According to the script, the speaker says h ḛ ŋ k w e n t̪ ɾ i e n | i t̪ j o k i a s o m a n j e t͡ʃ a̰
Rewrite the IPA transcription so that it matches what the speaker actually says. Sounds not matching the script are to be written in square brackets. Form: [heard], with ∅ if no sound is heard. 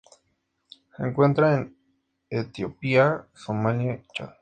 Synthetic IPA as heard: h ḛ ŋ k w e n t̪ ɾ [a] e n | [e] t̪ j o [p] i a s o m a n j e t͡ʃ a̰